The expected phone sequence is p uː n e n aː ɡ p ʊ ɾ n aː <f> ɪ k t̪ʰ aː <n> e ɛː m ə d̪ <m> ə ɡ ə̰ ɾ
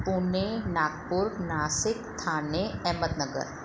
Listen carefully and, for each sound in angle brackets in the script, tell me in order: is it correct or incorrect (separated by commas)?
incorrect, correct, incorrect